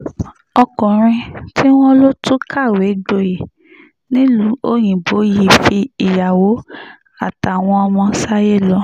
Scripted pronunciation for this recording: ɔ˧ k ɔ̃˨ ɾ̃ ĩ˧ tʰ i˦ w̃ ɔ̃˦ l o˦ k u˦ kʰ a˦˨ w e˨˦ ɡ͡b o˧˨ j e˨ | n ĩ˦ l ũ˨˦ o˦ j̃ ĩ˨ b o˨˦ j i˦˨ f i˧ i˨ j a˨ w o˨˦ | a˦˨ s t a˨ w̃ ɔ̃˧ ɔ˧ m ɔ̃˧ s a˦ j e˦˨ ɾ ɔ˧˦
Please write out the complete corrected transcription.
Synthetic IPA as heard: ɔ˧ k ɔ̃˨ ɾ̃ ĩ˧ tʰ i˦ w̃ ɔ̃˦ l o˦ t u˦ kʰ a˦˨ w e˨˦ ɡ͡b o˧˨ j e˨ | n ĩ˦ l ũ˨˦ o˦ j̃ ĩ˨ b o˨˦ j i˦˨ f i˧ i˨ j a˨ w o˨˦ | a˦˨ t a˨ w̃ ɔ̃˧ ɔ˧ m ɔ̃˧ s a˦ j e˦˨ l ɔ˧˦